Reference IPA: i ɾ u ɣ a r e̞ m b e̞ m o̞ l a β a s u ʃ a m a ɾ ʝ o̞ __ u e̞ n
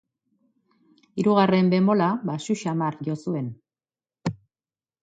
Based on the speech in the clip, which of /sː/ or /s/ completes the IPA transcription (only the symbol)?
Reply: s